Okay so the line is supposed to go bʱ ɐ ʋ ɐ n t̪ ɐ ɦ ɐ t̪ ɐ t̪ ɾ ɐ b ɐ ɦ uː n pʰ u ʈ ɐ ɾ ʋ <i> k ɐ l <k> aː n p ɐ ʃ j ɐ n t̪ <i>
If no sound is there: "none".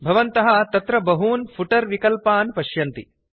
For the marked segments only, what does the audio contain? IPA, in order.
i, p, i

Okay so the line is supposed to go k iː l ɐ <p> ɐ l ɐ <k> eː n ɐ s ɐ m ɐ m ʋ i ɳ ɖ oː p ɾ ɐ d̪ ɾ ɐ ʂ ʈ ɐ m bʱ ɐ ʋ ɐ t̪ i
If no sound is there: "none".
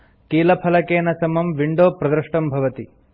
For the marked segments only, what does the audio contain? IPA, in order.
pʰ, k

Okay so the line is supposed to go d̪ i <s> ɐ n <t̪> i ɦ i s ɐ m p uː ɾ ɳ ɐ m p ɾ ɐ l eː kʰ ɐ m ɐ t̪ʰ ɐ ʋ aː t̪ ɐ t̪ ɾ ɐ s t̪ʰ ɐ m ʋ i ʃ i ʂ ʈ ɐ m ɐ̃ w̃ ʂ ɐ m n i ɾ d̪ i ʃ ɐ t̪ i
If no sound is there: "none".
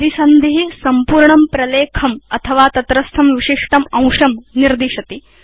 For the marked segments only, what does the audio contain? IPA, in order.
s, d̪

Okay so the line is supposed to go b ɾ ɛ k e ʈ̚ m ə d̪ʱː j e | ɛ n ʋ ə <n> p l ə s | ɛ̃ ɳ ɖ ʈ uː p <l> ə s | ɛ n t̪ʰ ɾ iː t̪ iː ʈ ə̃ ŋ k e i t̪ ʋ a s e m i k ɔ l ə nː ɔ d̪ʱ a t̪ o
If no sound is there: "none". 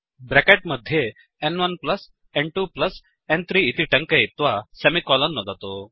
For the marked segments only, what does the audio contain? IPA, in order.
n, l

